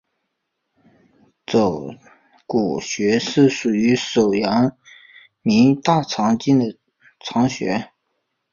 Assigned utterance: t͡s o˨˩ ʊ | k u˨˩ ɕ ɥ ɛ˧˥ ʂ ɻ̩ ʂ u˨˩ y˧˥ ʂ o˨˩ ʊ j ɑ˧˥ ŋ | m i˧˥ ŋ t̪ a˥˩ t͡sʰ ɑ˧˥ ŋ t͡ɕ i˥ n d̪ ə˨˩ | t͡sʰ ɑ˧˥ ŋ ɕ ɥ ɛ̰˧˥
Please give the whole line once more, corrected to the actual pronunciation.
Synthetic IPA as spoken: t͡s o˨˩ ʊ | k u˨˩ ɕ ɥ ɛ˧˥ ʂ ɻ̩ ʂ u˨˩ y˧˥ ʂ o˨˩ ʊ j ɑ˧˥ ŋ | m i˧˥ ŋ t̪ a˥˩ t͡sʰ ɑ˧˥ ŋ t͡ɕ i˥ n d̪ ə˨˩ | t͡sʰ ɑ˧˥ ŋ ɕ ɥ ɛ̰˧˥